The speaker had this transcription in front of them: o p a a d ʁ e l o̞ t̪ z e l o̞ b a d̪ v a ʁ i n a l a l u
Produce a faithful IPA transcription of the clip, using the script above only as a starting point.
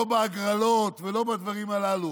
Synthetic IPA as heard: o b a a ɡ ʁ a l o̞ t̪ v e l o̞ b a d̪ v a ʁ i m a l a l u